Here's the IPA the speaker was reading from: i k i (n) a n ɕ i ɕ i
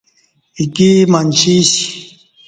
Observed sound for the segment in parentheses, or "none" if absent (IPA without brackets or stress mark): m